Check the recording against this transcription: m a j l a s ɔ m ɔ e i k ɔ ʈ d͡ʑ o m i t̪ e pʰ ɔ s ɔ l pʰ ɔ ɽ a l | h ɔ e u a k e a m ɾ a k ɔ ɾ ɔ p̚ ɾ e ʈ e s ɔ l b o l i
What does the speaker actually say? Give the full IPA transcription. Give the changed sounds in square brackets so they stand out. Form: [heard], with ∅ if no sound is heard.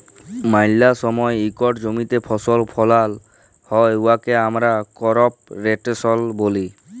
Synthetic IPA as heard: m a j l a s ɔ m ɔ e i k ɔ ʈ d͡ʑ o m i t̪ e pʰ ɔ s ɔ l pʰ ɔ [l] a l | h ɔ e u a k e a m ɾ a k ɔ ɾ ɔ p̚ ɾ e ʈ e s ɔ l b o l i